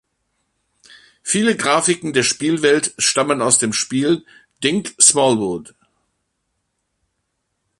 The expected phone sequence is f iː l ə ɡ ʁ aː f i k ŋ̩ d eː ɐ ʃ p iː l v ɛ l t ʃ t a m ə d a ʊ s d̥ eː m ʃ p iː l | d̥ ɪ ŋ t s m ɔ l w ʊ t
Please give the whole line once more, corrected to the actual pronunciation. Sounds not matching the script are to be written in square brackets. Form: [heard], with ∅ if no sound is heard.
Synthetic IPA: f iː l ə ɡ ʁ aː f [ɪ] k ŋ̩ d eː ɐ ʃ p iː l v ɛ l t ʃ t a m ə [n] a ʊ s d̥ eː m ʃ p iː l | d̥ ɪ ŋ [k] s m ɔ l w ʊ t